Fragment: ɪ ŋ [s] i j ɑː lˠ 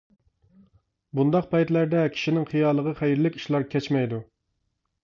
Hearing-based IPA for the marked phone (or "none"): χ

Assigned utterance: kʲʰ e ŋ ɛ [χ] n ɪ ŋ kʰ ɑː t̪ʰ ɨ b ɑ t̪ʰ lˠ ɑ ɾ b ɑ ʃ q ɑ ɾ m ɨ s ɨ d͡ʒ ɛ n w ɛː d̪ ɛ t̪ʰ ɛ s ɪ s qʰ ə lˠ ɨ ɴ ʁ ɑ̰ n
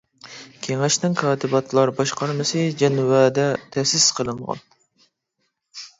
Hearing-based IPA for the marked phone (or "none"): ʃ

